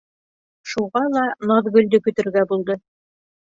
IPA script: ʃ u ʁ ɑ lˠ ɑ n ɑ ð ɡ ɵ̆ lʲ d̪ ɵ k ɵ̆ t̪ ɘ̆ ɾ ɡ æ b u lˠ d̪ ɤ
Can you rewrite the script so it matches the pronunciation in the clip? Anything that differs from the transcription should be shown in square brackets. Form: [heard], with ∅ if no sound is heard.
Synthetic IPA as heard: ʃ u ʁ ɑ lˠ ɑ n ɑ ð ɡ ɵ̆ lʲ d̪ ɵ k ɵ̆ t̪ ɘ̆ ɾ ɡ æ b u lˠ d̪ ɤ